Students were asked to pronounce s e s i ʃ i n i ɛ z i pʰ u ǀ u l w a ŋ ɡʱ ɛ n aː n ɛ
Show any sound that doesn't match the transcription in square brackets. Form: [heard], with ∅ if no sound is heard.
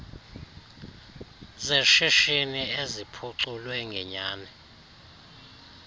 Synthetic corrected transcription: [z] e [ʃ] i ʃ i n i [e] z i pʰ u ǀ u l w [ɛ] ŋ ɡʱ ɛ [ɲ] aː n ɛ